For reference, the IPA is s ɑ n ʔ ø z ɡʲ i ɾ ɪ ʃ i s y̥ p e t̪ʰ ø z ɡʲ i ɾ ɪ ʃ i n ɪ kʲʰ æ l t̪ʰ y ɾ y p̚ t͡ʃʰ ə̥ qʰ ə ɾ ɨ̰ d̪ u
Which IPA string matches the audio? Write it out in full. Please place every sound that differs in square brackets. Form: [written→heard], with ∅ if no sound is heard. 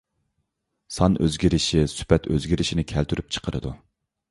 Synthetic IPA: s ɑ n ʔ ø z ɡʲ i ɾ ɪ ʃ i s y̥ p [e→ɛ] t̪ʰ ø z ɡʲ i ɾ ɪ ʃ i n ɪ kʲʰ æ l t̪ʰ y ɾ y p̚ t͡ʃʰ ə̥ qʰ ə ɾ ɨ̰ d̪ u